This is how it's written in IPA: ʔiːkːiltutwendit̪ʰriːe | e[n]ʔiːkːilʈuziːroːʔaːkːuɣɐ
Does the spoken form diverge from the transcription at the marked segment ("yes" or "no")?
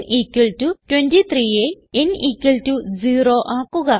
no